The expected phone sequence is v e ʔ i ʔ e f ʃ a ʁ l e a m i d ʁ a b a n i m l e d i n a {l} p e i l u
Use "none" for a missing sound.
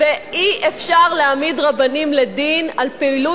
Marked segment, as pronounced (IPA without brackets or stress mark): l